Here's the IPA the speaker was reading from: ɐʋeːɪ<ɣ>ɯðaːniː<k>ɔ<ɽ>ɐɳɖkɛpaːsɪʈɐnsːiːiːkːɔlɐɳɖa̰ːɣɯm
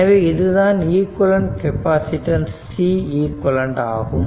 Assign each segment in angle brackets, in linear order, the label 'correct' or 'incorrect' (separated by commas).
incorrect, correct, incorrect